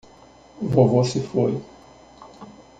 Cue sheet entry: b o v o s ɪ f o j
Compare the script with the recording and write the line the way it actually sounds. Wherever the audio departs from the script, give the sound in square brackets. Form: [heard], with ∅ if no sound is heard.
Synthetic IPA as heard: [v] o v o s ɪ f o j